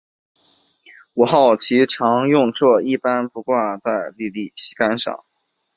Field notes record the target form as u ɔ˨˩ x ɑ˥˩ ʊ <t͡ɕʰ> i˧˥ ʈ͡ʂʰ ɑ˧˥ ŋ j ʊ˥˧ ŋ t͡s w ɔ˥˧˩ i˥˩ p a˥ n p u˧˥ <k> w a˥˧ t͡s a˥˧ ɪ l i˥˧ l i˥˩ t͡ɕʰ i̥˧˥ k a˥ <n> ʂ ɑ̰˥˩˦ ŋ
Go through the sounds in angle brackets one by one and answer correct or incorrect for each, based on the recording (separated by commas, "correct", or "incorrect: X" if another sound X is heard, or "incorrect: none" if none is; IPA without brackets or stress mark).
correct, correct, correct